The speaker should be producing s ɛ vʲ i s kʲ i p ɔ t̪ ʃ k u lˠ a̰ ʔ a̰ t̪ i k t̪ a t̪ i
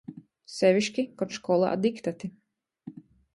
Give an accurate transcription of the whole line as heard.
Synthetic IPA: s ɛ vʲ i ʃ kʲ i k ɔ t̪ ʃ k ɔ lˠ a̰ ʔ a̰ d̪ i k t̪ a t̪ i

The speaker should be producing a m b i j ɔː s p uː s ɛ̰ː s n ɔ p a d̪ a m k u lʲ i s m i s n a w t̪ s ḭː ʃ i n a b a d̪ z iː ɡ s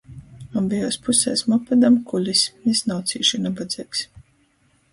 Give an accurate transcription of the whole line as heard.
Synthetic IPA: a m b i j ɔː s p u s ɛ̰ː s m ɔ p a d̪ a m k u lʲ i s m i s n a w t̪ s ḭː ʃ i n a b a d̪ z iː k s

